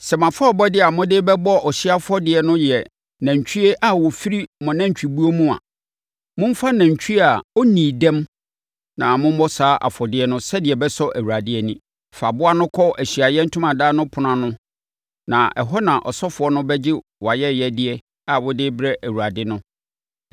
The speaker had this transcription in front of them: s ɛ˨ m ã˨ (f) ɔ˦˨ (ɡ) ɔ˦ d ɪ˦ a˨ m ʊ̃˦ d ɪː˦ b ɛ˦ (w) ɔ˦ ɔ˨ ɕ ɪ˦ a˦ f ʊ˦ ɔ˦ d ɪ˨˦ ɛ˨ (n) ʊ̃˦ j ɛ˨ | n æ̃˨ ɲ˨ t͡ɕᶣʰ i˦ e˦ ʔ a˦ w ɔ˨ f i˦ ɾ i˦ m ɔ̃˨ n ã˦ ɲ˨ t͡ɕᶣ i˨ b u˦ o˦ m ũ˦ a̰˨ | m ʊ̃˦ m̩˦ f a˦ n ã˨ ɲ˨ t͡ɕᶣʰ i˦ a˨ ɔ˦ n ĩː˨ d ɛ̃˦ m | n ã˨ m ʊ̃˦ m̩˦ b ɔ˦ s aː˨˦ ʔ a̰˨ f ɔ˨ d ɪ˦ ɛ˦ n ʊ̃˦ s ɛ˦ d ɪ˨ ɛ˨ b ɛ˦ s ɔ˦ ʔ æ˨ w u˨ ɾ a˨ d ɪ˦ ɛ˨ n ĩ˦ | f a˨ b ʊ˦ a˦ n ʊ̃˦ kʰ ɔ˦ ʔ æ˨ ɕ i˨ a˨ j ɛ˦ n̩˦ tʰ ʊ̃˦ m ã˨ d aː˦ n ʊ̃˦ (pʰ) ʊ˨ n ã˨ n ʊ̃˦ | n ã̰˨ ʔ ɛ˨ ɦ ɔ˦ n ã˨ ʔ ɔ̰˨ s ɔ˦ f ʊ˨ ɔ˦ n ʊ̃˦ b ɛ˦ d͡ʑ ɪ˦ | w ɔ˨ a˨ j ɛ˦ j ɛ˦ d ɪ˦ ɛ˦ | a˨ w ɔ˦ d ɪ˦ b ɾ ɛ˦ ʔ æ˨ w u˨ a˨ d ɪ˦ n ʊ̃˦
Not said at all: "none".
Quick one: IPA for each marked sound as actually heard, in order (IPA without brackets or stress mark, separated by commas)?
f, b, b, n, pʰ